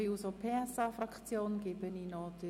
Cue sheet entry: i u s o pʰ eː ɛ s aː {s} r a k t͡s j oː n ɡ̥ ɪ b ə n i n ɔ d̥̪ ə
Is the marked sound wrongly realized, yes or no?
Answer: yes